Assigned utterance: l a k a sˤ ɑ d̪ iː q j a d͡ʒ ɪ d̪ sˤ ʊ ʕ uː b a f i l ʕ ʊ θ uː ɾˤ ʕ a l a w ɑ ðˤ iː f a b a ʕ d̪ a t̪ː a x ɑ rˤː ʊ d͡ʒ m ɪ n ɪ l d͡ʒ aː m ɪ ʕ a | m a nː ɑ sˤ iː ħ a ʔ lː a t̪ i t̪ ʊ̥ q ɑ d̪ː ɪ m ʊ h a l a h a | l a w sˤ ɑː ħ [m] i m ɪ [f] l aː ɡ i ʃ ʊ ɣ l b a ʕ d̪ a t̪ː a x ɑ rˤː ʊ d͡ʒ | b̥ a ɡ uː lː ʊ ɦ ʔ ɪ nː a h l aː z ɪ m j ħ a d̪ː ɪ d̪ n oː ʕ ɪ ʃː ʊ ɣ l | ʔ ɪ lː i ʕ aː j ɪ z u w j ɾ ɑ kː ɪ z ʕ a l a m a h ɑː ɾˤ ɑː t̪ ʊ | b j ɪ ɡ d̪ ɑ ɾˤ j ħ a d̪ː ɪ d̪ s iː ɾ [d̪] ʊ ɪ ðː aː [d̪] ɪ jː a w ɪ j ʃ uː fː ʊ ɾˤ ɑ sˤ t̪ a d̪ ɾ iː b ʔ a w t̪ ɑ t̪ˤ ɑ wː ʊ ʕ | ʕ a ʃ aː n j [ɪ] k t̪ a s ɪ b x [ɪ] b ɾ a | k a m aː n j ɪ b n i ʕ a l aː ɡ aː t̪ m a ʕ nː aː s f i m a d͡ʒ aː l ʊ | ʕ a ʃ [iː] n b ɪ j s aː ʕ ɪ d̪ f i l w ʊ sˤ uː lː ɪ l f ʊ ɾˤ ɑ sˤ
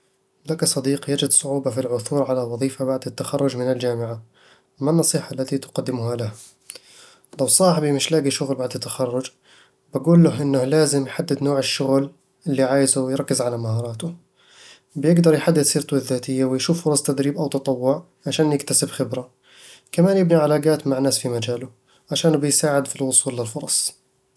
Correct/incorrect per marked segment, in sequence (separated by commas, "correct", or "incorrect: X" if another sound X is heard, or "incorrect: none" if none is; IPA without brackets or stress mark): incorrect: b, incorrect: ʃ, incorrect: t̪, incorrect: t̪, correct, correct, incorrect: aː